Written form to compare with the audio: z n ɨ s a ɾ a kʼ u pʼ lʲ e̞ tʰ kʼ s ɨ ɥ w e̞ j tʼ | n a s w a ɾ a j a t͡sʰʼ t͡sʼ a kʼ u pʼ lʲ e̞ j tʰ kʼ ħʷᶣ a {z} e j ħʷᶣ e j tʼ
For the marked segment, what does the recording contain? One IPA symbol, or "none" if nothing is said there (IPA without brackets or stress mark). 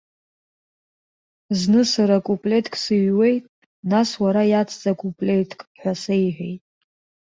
s